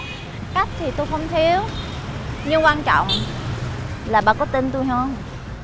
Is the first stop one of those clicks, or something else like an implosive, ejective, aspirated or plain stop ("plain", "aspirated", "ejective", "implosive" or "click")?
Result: plain